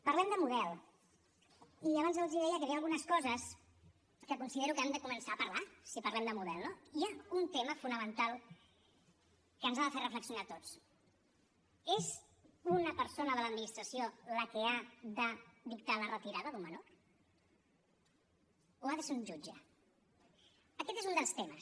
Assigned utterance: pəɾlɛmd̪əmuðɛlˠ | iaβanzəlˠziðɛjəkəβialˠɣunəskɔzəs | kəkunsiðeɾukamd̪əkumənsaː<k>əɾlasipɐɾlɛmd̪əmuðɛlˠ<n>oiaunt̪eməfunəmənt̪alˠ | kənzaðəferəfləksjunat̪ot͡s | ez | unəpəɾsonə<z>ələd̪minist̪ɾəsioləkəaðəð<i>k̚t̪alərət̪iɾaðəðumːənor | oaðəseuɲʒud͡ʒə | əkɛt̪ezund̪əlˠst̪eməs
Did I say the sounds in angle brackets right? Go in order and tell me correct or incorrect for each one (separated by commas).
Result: incorrect, correct, incorrect, correct